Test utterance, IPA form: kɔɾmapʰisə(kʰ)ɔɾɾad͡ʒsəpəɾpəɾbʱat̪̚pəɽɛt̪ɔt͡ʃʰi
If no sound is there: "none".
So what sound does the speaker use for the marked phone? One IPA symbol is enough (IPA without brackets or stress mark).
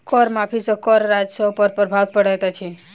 k